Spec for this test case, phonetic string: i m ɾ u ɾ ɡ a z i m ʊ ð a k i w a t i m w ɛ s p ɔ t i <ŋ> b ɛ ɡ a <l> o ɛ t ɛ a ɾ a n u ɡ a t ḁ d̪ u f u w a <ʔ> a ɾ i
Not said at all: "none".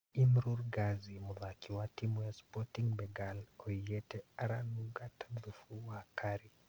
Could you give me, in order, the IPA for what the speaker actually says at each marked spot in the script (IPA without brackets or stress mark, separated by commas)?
ŋ, l, k